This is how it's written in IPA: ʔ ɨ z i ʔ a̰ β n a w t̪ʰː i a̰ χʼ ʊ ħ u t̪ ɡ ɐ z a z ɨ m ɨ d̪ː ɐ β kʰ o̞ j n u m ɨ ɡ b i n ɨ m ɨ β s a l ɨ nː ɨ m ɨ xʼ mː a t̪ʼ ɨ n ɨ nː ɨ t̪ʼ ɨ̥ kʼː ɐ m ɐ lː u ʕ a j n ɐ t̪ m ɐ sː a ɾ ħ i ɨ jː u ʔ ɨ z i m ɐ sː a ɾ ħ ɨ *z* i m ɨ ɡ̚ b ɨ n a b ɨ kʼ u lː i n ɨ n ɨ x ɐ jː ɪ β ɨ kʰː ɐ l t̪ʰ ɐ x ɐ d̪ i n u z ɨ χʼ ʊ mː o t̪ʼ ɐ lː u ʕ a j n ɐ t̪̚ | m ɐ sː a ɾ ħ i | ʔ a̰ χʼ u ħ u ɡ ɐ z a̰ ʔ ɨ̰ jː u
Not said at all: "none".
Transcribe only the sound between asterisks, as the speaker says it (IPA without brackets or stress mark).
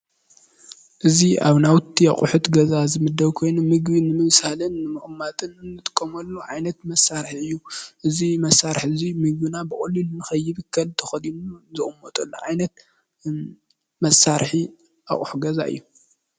z